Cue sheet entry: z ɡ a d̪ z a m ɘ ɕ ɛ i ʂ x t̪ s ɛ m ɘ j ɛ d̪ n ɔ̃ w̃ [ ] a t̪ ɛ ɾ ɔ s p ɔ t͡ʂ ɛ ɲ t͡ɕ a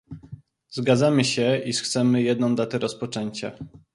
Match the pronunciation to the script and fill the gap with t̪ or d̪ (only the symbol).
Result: d̪